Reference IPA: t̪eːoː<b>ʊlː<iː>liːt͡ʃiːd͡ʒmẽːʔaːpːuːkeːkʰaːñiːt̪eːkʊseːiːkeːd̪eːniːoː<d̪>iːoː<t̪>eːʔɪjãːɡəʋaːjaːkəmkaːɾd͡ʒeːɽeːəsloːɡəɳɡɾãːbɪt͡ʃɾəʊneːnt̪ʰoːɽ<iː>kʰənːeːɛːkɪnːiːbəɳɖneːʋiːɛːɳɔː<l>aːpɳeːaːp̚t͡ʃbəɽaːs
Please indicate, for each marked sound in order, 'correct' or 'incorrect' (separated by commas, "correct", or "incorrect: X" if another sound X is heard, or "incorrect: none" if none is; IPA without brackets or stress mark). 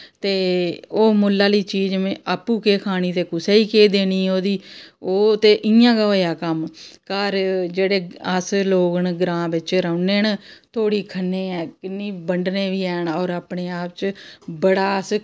incorrect: m, incorrect: aː, correct, correct, correct, incorrect: ɾ